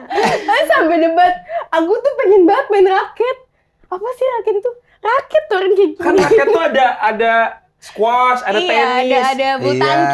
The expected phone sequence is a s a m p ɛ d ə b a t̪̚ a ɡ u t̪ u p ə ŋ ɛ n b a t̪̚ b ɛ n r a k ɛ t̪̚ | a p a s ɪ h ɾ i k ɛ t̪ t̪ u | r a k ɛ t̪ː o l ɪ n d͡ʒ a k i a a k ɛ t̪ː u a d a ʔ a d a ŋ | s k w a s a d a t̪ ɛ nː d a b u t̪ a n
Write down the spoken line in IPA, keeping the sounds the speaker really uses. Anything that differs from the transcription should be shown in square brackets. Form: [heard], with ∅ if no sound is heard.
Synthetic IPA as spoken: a s a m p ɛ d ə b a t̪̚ a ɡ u t̪ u p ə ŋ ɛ n b a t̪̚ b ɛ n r a k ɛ t̪̚ | a p a s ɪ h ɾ [a] k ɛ t̪ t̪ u | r a k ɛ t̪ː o [ɾ] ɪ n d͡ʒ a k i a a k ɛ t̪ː u a d a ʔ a d a [∅] | s k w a s a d a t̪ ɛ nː d a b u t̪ a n